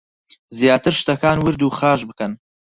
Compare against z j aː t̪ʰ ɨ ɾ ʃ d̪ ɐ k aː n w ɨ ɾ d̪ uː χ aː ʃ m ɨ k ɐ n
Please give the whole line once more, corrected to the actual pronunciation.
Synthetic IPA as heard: z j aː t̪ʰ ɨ ɾ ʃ t̪ ɐ k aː n w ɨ ɾ d̪ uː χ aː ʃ b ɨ k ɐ n